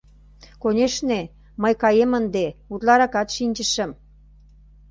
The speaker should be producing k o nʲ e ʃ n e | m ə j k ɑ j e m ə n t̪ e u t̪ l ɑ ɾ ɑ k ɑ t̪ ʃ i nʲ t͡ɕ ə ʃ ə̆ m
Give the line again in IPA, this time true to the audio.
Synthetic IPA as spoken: k o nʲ e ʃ n e | m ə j k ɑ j e m ə n d̪ e u t̪ l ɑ ɾ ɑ k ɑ t̪ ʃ i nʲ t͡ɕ ə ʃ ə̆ m